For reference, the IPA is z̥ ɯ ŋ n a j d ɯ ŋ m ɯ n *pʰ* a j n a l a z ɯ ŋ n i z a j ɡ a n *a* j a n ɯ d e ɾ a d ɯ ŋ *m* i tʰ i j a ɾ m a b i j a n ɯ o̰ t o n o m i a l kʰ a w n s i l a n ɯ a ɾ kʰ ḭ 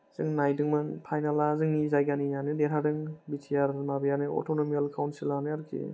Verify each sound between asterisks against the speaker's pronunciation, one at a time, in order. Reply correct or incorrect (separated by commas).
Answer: correct, incorrect, incorrect